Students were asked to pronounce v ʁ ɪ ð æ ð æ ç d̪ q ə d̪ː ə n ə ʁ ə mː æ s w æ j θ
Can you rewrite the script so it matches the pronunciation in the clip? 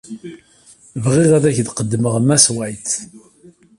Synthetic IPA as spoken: v ʁ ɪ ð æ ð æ ç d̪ q ə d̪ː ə m ə ʁ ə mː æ s w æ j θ